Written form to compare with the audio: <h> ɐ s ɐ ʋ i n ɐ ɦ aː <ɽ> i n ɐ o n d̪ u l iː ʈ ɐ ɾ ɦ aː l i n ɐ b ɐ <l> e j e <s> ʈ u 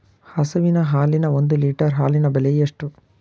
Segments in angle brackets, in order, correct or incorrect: correct, incorrect, correct, incorrect

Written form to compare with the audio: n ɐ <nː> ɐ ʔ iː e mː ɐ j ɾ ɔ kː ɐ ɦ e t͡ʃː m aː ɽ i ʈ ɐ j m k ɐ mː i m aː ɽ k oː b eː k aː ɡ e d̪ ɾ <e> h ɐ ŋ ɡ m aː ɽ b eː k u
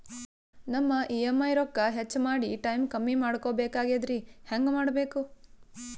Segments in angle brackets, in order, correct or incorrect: incorrect, incorrect

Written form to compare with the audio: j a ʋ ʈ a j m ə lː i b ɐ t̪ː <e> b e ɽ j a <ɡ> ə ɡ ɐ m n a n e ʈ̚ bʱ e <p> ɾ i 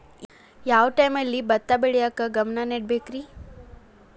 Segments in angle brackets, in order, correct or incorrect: incorrect, incorrect, incorrect

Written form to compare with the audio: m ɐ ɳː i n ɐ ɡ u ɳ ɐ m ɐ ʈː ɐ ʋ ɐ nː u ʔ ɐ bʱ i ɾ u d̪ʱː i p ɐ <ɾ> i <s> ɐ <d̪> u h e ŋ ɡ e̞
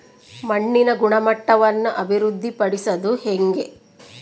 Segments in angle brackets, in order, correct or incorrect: incorrect, correct, correct

